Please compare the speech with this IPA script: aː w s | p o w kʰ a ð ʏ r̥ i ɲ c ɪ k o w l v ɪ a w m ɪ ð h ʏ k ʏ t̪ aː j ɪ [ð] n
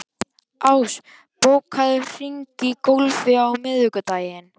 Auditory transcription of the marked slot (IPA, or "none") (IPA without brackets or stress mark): none